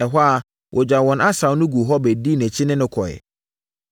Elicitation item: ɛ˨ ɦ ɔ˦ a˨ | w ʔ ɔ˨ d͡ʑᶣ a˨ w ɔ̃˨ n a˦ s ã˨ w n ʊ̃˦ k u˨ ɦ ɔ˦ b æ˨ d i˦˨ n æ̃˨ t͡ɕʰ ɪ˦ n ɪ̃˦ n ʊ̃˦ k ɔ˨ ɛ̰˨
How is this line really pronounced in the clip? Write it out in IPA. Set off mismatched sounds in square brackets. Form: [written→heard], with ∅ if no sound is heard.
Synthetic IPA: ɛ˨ ɦ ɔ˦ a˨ | w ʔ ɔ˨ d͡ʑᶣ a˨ w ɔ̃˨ n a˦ s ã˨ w n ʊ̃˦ [k→ɡ] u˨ ɦ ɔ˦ b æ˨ d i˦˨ n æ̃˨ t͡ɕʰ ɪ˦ n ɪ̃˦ n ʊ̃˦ [k→kʰ] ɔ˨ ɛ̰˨